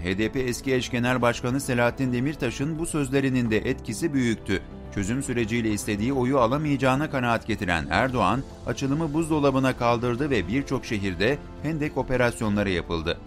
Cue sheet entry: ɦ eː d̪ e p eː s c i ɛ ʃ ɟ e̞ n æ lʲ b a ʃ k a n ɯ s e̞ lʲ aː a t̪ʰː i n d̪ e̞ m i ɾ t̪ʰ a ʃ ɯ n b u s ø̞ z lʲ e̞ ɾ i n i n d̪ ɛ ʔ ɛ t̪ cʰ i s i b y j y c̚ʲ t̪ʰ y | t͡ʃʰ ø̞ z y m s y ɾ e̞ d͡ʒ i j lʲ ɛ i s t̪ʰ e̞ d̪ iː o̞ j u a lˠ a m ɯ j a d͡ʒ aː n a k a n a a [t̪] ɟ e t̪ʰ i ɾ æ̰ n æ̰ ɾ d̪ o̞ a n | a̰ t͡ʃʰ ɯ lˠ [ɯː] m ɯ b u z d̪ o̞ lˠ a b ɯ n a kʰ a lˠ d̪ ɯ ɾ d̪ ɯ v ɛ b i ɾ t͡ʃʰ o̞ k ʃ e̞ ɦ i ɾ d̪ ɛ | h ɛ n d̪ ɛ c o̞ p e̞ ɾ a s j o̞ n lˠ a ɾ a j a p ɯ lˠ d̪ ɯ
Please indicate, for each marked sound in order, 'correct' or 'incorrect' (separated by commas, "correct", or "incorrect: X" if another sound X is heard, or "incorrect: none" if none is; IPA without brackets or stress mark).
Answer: correct, incorrect: ɯ